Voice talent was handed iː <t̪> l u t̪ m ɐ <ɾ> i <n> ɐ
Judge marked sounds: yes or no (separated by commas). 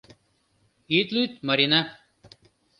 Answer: yes, yes, yes